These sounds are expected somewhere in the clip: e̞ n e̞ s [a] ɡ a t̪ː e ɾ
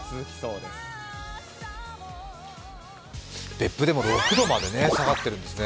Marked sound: correct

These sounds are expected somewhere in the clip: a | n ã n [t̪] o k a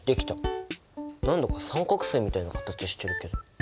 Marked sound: incorrect: d̪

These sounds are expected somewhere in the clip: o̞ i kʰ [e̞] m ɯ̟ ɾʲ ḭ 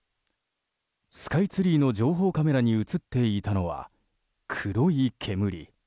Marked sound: correct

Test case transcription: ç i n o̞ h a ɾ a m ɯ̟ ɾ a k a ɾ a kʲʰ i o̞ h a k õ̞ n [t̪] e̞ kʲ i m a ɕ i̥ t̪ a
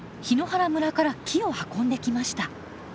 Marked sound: incorrect: d̪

